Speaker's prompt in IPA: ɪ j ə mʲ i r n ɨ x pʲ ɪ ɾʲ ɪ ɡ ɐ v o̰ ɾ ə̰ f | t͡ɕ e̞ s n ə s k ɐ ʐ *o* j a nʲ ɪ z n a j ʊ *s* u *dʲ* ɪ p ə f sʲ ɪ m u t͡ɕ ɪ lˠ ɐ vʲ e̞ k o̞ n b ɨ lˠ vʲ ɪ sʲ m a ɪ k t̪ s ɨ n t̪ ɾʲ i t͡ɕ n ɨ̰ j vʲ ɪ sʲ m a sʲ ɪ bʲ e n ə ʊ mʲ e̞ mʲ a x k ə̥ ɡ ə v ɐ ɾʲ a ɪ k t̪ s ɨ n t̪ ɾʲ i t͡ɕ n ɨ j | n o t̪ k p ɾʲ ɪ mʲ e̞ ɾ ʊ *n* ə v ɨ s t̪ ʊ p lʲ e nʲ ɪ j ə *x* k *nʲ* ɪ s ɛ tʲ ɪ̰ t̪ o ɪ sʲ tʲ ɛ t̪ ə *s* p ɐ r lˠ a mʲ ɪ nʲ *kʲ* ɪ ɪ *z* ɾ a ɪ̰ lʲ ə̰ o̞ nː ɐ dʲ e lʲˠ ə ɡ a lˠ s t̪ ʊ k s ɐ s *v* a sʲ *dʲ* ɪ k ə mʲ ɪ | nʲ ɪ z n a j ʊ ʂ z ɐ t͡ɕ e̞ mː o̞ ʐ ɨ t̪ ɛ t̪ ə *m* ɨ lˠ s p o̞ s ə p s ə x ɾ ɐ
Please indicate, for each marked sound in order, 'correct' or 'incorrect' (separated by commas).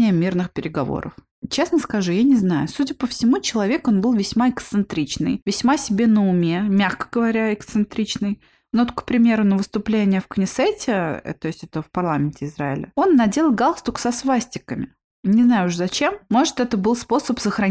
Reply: incorrect, correct, correct, correct, incorrect, correct, incorrect, incorrect, correct, correct, incorrect, incorrect